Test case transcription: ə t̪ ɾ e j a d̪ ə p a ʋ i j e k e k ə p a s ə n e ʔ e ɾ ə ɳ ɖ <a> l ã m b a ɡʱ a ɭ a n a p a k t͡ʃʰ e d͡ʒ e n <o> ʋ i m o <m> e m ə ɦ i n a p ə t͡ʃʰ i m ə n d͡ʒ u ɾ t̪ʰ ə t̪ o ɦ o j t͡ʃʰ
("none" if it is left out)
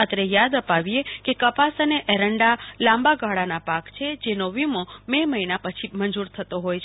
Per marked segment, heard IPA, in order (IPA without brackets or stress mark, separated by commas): a, o, m